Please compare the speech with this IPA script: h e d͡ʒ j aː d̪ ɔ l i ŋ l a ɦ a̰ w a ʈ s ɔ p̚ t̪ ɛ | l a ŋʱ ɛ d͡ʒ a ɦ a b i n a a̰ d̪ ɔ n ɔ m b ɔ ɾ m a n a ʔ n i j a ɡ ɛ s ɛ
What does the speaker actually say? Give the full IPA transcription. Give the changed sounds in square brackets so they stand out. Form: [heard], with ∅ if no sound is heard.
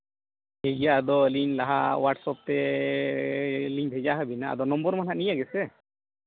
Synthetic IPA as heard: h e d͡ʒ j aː d̪ ɔ l i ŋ l a ɦ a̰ w a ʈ s ɔ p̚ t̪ ɛ | l [i] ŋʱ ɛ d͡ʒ a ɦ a b i n a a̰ d̪ ɔ n ɔ m b ɔ ɾ m a n a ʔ n i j a ɡ ɛ s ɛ

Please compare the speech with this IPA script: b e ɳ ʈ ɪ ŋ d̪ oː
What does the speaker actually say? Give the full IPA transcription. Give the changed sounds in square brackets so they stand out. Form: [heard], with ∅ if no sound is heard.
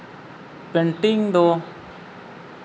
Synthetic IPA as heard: [p] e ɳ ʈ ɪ ŋ d̪ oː

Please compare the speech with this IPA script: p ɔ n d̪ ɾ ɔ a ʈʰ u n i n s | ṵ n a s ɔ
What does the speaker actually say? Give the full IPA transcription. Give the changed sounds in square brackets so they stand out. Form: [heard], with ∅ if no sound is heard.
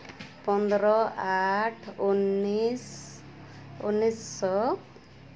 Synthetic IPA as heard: p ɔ n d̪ ɾ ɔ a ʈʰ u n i [∅] s | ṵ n [i] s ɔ

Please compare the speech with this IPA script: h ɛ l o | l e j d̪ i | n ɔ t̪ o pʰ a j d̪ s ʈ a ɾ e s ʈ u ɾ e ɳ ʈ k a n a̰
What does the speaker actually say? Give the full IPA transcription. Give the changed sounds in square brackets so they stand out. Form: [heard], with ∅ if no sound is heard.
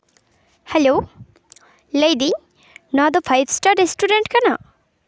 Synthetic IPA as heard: h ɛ l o | l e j d̪ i | n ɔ [d̪] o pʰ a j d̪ s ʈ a ɾ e s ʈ u ɾ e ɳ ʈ k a n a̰

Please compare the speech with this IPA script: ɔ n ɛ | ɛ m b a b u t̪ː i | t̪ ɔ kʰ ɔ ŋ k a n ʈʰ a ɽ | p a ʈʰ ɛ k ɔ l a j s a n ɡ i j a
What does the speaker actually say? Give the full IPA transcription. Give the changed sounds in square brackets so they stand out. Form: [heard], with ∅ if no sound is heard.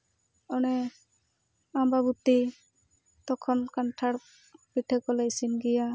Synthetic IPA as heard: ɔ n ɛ | [a] m b a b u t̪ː i | t̪ ɔ kʰ ɔ [n] k a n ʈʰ a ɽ | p [i] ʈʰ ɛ k ɔ l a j s [i] n ɡ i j a

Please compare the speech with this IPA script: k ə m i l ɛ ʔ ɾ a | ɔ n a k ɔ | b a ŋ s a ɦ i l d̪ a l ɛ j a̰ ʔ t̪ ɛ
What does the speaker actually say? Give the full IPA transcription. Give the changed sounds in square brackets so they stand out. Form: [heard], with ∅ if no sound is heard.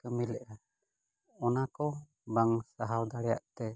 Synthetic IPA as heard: k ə m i l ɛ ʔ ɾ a | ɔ n a k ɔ | b a ŋ s a ɦ [a] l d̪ a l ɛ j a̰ ʔ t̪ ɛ

